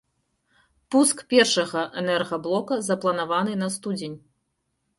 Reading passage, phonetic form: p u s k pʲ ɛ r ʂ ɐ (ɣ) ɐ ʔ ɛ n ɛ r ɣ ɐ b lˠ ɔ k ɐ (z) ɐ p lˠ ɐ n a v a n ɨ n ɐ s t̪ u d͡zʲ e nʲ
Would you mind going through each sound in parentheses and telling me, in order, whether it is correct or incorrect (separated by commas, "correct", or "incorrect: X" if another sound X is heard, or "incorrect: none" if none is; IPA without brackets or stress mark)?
correct, correct